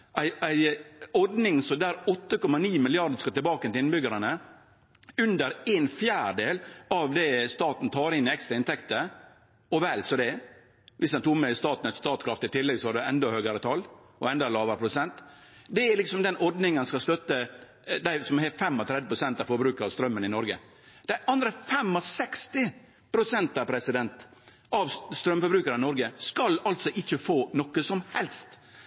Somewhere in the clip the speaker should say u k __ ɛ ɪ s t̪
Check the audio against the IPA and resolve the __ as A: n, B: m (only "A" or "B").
B